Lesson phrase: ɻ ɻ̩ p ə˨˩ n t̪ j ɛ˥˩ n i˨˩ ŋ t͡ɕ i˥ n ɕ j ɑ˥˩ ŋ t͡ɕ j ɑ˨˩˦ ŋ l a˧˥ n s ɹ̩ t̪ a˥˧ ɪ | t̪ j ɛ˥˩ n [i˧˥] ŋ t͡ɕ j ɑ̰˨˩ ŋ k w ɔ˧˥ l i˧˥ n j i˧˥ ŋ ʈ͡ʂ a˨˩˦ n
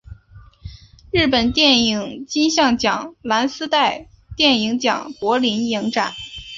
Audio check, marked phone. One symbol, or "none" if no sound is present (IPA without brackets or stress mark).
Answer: i˧˥